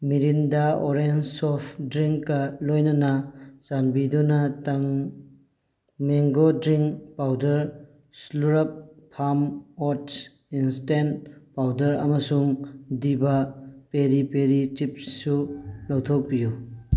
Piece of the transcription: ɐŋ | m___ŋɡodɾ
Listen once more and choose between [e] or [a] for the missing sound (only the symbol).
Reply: e